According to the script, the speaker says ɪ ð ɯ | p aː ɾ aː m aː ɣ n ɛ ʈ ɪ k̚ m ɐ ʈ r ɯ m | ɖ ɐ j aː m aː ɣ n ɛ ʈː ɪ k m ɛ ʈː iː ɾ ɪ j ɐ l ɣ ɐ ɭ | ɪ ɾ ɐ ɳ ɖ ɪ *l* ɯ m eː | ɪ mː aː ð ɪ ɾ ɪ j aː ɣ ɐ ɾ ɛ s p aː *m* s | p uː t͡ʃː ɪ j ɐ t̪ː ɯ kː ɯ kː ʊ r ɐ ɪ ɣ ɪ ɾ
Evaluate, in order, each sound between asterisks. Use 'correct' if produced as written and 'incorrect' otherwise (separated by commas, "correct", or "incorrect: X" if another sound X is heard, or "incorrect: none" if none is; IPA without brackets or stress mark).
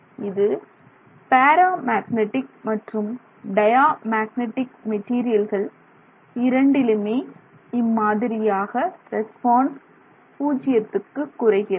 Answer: correct, incorrect: n